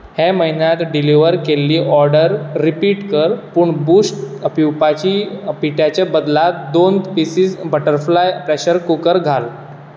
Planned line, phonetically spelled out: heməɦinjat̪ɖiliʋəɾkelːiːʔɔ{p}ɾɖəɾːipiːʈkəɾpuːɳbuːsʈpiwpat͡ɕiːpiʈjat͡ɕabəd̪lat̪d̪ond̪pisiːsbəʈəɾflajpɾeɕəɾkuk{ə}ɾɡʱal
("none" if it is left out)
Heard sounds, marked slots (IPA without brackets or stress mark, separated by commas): none, ə